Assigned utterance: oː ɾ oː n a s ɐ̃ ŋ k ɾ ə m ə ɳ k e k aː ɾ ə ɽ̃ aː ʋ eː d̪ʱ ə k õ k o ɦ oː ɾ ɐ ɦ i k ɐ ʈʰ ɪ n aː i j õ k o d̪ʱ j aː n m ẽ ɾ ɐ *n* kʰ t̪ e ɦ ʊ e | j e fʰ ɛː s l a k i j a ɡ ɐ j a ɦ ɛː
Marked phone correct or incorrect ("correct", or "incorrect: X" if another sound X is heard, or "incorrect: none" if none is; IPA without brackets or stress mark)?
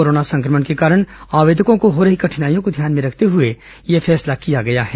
incorrect: none